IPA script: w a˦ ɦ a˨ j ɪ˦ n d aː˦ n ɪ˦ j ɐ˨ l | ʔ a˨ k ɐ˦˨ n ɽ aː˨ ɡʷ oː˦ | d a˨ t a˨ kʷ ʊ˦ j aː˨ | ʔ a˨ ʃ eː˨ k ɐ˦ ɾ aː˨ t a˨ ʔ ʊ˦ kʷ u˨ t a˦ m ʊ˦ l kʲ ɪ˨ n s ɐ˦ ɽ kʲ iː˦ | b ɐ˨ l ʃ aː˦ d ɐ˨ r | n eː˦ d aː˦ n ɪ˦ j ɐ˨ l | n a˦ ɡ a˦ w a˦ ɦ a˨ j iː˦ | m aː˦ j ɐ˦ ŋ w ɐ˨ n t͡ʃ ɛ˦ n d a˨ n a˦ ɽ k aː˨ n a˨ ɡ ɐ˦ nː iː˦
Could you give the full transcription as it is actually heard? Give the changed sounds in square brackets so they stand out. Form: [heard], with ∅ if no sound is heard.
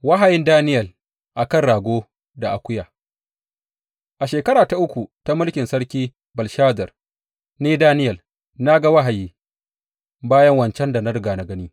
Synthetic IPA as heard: w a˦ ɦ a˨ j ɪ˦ n d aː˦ n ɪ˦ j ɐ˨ l | ʔ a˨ k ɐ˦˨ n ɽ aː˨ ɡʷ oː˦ | d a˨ [ʔ] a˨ kʷ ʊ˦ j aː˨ | ʔ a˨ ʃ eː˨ k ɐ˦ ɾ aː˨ t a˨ ʔ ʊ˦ kʷ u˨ t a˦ m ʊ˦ l kʲ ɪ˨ n s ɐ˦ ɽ kʲ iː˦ | b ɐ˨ l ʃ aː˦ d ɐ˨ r | n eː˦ d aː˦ n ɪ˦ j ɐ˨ l | n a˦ ɡ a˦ w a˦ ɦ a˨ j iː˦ | [b] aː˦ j ɐ˦ ŋ w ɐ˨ n t͡ʃ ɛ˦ n d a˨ n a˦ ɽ [ɡ] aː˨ n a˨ ɡ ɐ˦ [n] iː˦